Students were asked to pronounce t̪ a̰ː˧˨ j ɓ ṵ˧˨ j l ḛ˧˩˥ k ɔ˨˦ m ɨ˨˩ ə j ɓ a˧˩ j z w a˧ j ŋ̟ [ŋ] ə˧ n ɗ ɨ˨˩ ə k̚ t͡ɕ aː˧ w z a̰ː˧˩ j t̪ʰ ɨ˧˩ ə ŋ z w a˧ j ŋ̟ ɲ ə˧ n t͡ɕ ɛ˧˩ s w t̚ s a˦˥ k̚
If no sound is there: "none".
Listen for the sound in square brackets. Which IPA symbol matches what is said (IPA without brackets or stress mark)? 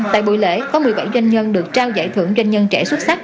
ɲ